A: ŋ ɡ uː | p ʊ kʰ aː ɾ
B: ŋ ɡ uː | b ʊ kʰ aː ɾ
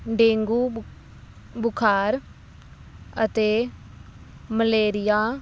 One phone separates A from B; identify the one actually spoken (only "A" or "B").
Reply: B